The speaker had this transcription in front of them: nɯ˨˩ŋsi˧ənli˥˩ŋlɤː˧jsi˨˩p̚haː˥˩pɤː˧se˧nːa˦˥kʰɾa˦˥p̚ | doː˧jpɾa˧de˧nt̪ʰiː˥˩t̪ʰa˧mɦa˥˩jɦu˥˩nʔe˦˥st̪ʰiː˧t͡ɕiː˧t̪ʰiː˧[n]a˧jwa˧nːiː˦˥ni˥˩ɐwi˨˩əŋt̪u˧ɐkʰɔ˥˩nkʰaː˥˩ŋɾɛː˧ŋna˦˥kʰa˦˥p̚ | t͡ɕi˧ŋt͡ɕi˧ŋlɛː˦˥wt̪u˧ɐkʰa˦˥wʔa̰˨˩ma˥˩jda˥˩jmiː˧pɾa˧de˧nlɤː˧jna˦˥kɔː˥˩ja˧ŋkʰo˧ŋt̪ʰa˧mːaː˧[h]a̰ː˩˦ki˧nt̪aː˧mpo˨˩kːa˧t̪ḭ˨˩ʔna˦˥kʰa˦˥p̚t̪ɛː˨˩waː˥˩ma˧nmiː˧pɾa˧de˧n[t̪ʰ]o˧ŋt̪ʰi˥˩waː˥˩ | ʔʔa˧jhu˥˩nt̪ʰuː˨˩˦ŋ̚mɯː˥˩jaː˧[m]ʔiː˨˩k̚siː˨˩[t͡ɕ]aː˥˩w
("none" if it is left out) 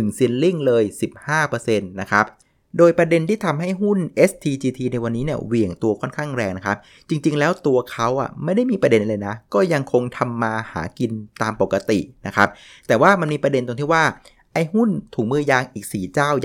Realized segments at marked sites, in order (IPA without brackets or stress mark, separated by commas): n, h, t̪, ŋ, t͡ɕ